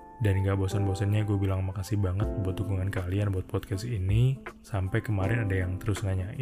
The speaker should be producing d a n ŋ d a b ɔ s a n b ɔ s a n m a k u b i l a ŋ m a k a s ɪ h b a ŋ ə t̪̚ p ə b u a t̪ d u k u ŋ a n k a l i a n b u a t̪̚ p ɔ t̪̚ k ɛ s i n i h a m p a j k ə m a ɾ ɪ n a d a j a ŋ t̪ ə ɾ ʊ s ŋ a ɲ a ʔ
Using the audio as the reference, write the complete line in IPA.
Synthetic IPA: d a n ŋ ɡ a b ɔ s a n b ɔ s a n ɲ a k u b i l a ŋ m a k a s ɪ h b a ŋ ə t̪̚ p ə b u a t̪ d u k u ŋ a n k a l i a n b u a t̪̚ p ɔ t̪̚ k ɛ s i n i s a m p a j k ə m a ɾ ɪ n a d a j a ŋ t̪ ə ɾ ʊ s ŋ a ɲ a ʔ